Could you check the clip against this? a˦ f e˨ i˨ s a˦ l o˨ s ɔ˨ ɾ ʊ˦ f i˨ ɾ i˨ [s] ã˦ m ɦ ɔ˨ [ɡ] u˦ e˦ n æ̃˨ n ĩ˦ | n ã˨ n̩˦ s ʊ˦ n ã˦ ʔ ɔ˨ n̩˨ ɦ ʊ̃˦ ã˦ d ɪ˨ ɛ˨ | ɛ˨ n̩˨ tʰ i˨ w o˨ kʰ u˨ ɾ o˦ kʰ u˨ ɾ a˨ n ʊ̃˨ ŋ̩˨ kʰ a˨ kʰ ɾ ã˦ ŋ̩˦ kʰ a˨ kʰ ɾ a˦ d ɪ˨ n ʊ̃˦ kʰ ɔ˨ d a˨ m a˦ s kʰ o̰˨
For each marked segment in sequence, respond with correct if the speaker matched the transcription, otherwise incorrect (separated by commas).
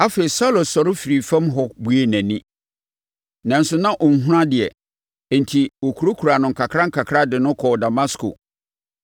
incorrect, incorrect